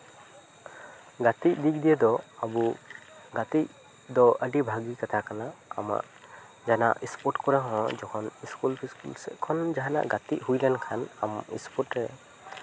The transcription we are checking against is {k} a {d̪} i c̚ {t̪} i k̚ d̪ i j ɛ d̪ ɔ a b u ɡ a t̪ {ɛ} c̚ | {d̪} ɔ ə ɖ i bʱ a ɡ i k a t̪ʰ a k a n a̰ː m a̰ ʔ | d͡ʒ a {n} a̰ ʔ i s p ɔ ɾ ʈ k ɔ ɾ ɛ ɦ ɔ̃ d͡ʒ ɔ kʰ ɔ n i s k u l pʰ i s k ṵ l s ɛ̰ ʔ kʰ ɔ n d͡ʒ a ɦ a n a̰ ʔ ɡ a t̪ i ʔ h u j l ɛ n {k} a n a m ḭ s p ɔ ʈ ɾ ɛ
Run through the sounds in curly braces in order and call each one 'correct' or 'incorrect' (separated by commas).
incorrect, incorrect, incorrect, incorrect, correct, correct, incorrect